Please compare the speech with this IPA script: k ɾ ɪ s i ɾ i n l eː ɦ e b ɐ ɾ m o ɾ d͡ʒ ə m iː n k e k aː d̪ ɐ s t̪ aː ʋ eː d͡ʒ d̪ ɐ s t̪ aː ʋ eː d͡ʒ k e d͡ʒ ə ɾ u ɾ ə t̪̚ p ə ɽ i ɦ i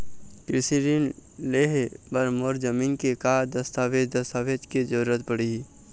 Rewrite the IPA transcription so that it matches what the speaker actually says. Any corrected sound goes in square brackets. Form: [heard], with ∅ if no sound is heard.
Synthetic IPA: k ɾ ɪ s i ɾ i n l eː ɦ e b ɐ ɾ m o ɾ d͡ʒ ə m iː n k e k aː d̪ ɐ s t̪ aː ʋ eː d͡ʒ d̪ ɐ s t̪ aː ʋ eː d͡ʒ k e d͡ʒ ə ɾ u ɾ ə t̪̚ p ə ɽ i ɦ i